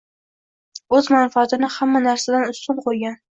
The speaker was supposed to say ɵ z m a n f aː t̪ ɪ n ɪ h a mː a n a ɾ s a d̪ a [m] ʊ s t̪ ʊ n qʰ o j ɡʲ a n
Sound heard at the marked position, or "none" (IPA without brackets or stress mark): n